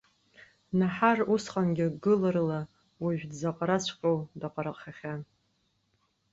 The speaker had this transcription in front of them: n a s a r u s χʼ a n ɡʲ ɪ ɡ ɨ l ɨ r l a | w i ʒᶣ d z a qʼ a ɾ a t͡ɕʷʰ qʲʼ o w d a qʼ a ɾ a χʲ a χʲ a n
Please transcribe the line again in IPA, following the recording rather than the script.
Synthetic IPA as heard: n a ħ a r u s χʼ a n ɡʲ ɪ ɡ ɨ l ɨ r l a | w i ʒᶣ d z a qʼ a ɾ a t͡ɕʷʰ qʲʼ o w d a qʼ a ɾ a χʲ a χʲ a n